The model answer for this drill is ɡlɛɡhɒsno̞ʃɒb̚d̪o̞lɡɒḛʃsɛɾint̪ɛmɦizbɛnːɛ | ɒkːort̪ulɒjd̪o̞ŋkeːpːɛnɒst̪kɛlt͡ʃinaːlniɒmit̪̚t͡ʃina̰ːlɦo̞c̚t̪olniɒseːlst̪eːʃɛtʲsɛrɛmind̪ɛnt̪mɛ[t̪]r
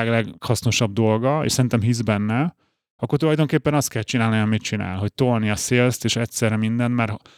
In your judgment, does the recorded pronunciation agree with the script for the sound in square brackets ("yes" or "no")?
no